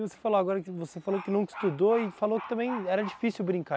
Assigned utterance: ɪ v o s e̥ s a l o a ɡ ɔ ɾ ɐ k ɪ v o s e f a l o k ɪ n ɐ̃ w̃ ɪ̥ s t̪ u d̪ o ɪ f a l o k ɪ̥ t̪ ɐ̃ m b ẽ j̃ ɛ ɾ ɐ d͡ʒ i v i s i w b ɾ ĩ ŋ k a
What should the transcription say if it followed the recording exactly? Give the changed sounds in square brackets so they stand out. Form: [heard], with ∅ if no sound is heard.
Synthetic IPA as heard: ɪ v o s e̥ [f] a l o a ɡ ɔ ɾ ɐ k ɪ v o s e f a l o k ɪ n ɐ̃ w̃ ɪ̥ s t̪ u d̪ o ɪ f a l o k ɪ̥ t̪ ɐ̃ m b ẽ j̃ ɛ ɾ ɐ d͡ʒ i [f] i s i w b ɾ ĩ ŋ k a